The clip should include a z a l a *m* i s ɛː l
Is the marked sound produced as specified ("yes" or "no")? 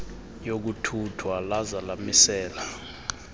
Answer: yes